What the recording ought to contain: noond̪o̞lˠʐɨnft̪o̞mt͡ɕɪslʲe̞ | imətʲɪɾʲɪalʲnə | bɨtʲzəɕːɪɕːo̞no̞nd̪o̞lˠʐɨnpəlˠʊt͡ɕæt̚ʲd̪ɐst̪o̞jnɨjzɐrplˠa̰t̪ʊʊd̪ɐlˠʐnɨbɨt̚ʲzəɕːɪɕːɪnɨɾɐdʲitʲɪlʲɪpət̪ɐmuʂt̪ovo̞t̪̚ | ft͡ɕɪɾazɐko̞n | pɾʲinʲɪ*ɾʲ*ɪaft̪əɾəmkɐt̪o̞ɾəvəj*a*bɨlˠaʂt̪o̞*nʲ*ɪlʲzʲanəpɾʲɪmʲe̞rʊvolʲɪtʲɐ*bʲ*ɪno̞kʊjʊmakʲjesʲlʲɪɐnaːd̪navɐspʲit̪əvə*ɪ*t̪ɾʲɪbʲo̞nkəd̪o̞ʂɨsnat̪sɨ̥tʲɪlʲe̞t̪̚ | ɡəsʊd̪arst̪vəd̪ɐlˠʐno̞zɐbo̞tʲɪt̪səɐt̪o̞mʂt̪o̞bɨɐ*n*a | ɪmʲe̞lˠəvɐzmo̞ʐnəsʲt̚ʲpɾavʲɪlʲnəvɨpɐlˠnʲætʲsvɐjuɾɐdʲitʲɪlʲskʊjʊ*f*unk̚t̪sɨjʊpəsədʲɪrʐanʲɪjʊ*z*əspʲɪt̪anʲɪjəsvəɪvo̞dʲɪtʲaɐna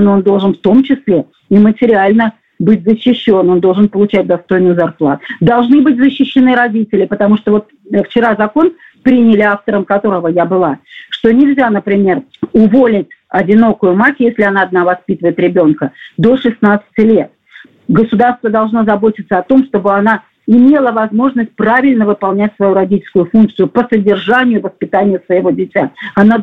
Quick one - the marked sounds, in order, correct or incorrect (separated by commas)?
incorrect, correct, correct, incorrect, correct, correct, correct, incorrect